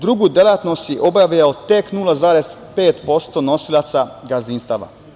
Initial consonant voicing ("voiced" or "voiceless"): voiced